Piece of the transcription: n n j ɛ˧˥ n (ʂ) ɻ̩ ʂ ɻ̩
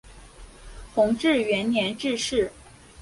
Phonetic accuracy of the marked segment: incorrect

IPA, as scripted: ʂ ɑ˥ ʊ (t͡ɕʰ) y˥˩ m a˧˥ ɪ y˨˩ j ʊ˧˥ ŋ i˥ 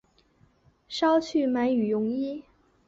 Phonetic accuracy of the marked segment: correct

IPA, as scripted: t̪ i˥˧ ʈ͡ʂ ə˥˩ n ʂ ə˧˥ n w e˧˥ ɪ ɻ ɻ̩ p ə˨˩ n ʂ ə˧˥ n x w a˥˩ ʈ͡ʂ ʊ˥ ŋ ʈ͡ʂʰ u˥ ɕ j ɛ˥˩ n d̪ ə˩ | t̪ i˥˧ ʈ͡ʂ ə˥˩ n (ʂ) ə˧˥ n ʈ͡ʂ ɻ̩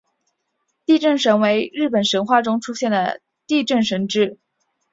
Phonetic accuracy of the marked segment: correct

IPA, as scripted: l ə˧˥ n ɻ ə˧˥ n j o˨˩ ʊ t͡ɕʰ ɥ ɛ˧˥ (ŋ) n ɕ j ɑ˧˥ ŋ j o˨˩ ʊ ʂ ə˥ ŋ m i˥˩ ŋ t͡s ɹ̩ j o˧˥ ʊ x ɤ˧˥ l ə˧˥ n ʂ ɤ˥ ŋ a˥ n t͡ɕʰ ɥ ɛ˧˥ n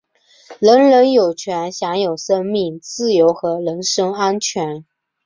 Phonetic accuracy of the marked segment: incorrect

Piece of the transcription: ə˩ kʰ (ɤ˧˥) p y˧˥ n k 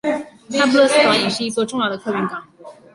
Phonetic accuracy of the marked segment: incorrect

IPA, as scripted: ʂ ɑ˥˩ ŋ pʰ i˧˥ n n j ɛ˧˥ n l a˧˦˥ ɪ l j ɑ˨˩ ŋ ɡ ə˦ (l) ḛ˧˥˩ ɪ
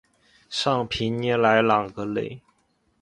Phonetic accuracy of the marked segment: correct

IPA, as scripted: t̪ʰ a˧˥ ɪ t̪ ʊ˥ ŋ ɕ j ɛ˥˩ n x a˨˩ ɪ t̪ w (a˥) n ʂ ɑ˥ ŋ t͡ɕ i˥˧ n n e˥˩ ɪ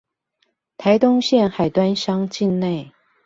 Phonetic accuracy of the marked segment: correct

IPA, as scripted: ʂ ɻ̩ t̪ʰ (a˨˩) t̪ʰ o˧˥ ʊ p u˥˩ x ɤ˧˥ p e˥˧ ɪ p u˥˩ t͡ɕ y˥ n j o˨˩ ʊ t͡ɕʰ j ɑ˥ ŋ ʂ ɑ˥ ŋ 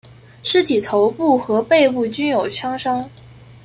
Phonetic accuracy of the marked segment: incorrect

